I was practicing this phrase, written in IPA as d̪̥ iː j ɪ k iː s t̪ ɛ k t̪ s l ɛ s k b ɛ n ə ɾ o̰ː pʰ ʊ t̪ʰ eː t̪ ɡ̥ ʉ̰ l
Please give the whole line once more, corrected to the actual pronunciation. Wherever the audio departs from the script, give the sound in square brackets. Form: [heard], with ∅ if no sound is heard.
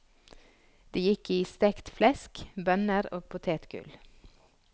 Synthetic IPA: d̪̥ iː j ɪ k iː s t̪ ɛ k t̪ [f] l ɛ s k b [œ] n ə ɾ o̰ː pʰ ʊ t̪ʰ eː t̪ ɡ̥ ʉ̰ l